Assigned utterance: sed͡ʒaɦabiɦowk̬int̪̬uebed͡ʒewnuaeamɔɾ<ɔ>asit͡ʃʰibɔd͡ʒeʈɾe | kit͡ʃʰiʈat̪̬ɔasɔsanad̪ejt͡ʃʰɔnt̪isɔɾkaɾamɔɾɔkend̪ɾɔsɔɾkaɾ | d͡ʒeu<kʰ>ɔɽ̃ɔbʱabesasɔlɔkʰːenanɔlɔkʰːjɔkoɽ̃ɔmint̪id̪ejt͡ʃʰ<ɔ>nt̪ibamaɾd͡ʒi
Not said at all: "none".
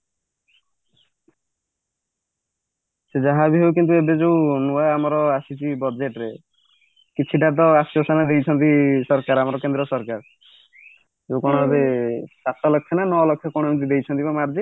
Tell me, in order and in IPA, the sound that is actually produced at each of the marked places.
ɔ, k, ɔ

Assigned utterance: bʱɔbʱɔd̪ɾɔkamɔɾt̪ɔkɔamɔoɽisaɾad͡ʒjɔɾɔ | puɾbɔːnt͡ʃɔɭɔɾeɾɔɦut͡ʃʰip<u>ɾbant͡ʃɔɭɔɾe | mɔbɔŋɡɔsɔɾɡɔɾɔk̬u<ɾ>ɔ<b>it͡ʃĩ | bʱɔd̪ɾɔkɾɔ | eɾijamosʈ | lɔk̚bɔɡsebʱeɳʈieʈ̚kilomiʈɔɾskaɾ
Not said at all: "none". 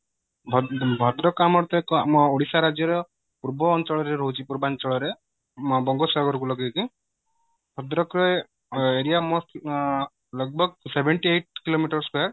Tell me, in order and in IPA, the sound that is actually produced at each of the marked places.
u, l, ɡ

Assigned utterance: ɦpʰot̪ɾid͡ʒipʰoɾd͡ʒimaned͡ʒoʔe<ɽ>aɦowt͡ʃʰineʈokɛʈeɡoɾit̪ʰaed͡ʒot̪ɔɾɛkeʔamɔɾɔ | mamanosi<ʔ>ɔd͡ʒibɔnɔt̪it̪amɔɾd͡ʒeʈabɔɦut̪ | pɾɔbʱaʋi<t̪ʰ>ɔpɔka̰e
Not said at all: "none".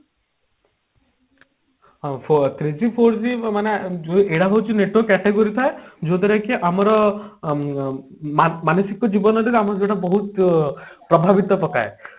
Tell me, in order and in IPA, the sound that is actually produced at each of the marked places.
ɽ, k, t̪

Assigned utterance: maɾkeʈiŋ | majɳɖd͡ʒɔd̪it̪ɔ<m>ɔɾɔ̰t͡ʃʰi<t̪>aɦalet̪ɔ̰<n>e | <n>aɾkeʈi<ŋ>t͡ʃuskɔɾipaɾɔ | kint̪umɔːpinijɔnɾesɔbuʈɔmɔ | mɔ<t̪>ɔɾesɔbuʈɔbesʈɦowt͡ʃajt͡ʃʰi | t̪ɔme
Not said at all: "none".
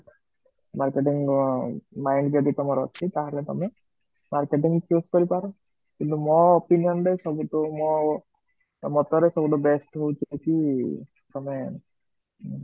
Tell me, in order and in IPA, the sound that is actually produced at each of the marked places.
m, t̪, m, m, ŋ, t̪

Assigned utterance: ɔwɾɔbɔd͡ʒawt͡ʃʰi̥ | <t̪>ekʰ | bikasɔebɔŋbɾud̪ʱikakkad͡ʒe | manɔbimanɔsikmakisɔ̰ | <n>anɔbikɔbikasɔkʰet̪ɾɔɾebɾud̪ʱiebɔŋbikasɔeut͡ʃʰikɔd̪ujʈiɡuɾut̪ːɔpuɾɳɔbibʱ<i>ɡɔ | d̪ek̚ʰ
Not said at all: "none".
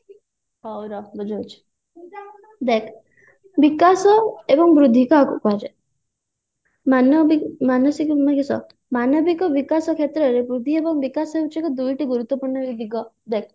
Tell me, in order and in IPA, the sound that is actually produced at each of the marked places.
d̪, m, i

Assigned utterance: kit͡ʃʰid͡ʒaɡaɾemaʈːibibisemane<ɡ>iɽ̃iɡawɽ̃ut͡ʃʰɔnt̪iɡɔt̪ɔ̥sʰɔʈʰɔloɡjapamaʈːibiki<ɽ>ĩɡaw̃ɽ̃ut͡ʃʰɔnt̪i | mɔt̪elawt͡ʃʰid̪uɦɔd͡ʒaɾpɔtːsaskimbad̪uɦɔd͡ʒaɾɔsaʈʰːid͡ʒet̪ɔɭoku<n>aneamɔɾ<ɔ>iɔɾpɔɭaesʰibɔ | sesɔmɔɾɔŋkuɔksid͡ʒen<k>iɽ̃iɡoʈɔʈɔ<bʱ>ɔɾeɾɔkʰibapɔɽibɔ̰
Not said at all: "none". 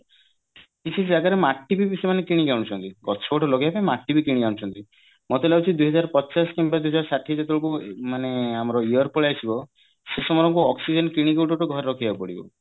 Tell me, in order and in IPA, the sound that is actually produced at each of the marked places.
k, ɽ, m, ɔ, k, ɡʱ

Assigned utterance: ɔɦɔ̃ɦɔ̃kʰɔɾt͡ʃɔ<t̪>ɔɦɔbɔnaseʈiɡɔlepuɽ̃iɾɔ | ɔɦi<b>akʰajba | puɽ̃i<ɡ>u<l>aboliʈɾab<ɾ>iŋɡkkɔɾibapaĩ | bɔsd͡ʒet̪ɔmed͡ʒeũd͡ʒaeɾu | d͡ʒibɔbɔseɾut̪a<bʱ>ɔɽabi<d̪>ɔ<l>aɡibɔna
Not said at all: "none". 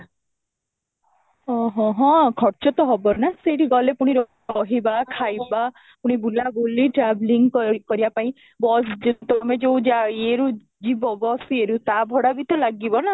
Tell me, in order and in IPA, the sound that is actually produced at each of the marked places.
t̪, b, b, l, l, bʱ, t̪, l

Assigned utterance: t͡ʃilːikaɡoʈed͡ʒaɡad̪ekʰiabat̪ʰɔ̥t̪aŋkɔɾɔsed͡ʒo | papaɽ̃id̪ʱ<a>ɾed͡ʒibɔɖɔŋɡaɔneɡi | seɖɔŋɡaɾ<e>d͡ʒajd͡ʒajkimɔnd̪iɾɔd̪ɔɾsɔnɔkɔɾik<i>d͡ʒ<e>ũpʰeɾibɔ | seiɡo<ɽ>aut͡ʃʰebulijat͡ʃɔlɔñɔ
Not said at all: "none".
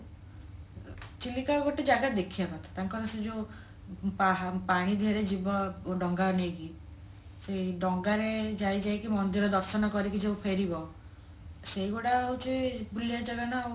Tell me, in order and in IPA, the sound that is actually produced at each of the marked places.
e, e, i, e, ɽ

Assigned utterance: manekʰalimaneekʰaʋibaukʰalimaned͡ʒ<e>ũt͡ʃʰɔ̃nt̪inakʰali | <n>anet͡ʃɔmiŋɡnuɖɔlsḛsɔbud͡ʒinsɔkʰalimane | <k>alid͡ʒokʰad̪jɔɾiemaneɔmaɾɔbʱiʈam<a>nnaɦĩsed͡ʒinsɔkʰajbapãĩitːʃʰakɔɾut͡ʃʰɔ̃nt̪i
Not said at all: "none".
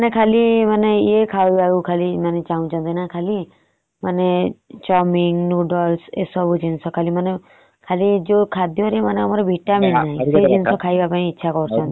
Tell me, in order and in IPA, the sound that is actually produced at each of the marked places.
a, m, kʰ, i

